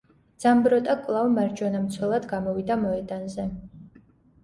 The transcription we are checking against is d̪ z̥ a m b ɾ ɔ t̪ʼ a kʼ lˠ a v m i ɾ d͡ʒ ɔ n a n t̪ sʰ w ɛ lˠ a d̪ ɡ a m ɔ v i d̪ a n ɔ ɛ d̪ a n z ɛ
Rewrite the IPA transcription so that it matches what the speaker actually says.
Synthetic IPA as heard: d̪ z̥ a m b ɾ ɔ t̪ʼ a kʼ lˠ a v m a ɾ d͡ʒ ɔ n a m t̪ sʰ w ɛ lˠ a d̪ ɡ a m ɔ v i d̪ a m ɔ ɛ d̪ a n z ɛ